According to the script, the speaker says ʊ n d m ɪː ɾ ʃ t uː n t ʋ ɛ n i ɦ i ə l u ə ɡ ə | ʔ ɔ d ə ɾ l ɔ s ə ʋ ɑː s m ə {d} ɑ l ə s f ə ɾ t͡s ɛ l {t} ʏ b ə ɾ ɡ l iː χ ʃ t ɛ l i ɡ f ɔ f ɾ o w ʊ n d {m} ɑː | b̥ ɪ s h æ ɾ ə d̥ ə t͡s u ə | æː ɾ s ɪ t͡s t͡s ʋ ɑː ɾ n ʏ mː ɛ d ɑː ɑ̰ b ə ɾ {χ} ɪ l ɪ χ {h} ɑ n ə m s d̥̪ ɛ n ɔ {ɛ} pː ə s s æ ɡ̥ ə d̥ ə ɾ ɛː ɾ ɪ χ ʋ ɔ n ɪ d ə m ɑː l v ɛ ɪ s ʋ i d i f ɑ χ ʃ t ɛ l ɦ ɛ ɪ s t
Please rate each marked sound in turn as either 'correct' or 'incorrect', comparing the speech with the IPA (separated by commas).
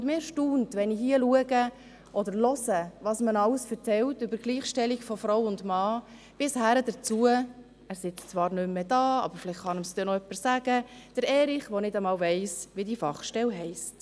incorrect, correct, correct, incorrect, incorrect, incorrect